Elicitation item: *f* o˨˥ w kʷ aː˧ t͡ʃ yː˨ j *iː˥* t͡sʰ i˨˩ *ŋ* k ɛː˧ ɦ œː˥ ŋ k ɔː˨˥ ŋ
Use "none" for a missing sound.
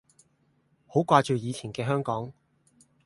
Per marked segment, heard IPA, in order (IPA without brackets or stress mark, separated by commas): h, iː˨˧, n